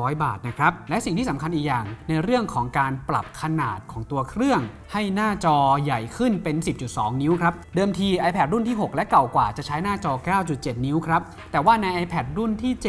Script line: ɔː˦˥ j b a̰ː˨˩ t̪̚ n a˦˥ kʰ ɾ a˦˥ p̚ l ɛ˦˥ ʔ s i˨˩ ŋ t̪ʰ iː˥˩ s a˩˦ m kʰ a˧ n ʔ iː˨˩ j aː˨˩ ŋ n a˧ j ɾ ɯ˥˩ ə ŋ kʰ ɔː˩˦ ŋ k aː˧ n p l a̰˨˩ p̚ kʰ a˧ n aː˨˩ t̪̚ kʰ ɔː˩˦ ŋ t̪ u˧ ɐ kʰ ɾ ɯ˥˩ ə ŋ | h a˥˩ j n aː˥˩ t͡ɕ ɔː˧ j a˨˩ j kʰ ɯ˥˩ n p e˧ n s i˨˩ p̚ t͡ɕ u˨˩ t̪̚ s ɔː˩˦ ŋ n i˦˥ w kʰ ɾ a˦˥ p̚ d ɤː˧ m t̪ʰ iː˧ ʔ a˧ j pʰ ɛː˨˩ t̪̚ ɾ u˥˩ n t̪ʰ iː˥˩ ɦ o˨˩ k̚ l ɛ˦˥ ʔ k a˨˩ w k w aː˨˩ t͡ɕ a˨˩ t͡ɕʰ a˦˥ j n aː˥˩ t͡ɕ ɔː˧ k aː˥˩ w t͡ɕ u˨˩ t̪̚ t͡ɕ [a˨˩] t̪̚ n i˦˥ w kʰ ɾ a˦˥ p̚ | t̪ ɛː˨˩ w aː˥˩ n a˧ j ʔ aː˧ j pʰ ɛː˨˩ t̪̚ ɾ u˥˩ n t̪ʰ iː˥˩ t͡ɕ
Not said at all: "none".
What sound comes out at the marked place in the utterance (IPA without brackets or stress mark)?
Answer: e˨˩